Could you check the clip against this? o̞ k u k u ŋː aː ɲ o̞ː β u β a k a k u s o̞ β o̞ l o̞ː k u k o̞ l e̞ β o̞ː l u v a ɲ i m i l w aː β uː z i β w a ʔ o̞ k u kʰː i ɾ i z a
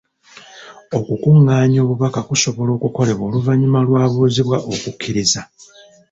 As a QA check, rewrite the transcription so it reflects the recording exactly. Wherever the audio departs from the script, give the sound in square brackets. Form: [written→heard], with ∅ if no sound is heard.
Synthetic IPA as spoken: o̞ k u k u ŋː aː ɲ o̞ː β u β a k a k u s o̞ β o̞ l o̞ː k u k o̞ l e̞ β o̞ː l u v a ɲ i m [i→a] l w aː β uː z i β w a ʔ o̞ k u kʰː i ɾ i z a

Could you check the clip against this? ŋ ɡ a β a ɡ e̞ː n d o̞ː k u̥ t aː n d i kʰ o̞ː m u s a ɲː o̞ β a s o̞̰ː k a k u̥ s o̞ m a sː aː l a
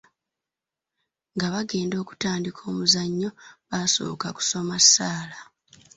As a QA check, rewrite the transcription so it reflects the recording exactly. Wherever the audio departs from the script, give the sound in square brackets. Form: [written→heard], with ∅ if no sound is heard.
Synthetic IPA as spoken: ŋ ɡ a β a ɡ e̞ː n d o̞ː k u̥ t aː n d i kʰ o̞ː m u [s→z] a ɲː o̞ β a s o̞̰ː k a k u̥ s o̞ m a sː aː l a

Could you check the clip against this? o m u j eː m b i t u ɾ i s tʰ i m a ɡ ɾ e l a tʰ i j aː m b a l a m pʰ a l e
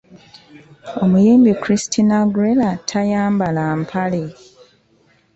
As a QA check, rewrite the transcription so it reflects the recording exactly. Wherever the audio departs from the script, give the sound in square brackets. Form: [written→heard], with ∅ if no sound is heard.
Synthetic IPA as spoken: o m u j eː m b i [t→k] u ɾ i s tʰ i [m→n] a ɡ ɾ e l a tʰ [i→a] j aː m b a l a m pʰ a l e

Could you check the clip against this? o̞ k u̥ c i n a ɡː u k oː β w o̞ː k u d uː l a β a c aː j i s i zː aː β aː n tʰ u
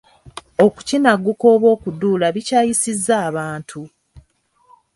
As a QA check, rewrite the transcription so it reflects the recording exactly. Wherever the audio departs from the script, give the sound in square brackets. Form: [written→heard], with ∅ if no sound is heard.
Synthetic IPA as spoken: o̞ k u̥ c i n a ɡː u k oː β w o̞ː k u d uː l a β [a→i] c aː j i s i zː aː β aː n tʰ u

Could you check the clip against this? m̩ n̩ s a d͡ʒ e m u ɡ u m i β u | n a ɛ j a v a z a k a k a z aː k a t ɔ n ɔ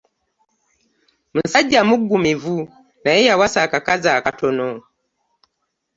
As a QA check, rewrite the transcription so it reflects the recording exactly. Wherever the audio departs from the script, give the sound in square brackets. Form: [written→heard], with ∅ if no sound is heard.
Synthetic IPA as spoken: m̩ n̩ s a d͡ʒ [e→a] m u ɡ u m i [β→v] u | n a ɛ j a [v→w] a [z→s] a k a k a z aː k a t ɔ n ɔ

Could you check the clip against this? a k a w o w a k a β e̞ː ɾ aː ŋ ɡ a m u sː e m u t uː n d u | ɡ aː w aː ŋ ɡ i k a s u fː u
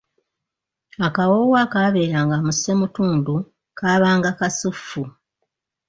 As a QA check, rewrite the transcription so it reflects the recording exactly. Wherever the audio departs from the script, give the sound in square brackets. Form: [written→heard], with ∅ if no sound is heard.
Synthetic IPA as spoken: a k a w o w a k a β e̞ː ɾ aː ŋ ɡ a m u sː e m u t uː n d u | [ɡ→k] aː [w→β] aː ŋ ɡ [i→a] k a s u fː u

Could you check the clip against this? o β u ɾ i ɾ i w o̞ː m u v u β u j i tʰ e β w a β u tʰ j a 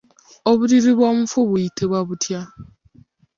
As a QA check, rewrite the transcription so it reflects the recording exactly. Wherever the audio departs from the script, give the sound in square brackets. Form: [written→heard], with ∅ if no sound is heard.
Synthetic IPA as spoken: o β u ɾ i ɾ i [w→β] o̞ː m u [v→f] u β u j i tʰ e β w a β u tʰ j a

